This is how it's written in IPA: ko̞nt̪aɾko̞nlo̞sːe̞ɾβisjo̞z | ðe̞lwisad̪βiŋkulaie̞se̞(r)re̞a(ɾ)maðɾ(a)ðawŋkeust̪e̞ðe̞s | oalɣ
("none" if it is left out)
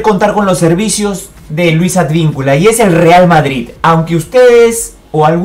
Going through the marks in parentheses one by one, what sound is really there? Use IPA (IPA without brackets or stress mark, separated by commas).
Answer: l, l, i